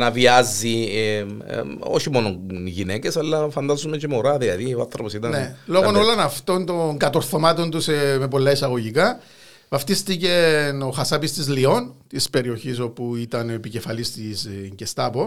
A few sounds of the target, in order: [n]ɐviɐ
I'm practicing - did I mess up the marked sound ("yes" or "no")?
no